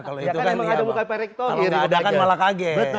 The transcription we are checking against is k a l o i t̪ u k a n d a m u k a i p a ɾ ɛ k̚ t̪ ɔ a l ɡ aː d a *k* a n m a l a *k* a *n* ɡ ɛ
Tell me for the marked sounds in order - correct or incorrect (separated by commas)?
correct, correct, incorrect